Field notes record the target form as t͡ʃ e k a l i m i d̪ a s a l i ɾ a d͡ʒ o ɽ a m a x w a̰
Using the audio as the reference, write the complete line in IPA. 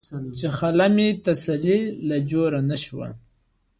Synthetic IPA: t͡ʃ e x a l a m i t̪ a s a l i l a d͡ʒ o ɾ a n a ʃ w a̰